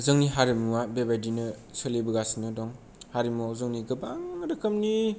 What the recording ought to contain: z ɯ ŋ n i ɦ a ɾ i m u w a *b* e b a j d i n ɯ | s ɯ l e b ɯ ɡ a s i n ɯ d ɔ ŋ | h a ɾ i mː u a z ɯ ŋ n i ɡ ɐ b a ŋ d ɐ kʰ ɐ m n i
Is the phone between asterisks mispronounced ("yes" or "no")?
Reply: no